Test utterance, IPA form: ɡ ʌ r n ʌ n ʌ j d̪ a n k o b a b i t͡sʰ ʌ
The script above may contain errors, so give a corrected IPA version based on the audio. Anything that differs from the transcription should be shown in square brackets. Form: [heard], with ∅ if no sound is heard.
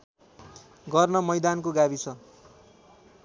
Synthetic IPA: ɡ ʌ r n ʌ [m] ʌ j d̪ a n k o [ɡ] a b i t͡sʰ ʌ

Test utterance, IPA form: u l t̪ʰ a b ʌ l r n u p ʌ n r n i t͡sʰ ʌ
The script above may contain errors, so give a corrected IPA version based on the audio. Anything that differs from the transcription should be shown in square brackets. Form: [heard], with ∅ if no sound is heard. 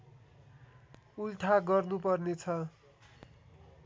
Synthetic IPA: u l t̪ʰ a [ɡ] ʌ [∅] r n u p ʌ [∅] r n [e] t͡sʰ ʌ

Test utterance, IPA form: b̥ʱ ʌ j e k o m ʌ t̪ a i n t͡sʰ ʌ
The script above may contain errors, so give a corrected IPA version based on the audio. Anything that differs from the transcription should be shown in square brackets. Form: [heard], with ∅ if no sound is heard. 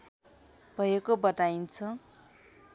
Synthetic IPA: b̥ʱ ʌ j e k o [b] ʌ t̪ a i n t͡sʰ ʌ

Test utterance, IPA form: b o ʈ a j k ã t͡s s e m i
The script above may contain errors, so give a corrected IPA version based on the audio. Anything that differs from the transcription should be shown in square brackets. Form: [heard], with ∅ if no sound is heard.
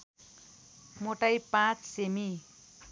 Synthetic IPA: [m] o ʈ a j [p] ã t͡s s e m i

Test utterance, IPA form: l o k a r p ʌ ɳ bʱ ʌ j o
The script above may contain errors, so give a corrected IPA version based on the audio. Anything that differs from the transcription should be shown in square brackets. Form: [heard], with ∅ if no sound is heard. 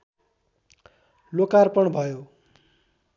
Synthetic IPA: l o k a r p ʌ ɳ bʱ ʌ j o

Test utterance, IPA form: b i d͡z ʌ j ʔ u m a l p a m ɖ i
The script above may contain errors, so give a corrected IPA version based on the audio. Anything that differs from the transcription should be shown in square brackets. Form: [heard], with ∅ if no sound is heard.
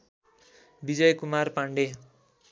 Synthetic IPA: b i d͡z ʌ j [k] u m a [r] p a [ɳ] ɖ [e]

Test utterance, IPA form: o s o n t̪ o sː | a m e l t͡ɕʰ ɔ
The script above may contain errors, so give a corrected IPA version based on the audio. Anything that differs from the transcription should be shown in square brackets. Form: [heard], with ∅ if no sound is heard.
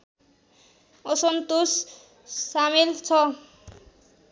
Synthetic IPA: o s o n t̪ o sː | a m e l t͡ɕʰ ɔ

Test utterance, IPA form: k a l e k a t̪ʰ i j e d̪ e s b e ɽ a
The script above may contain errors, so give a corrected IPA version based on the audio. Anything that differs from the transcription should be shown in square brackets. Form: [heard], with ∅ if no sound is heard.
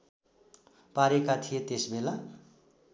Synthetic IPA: [p] a [ɾ] e k a t̪ʰ i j e [t̪] e s b e [l] a

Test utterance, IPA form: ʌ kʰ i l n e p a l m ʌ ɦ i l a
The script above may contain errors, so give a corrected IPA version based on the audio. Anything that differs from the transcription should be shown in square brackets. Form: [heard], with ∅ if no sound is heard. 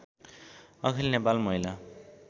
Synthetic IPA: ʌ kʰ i l n e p a l m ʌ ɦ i l a

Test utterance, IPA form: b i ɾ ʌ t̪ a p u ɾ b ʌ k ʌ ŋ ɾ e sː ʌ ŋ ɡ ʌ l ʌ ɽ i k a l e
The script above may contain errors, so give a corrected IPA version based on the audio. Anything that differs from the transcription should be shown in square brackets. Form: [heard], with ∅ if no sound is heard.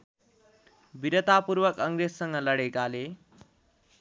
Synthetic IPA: b i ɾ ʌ t̪ a p u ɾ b ʌ k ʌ ŋ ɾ e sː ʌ ŋ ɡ ʌ l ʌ ɽ [e] k a l e

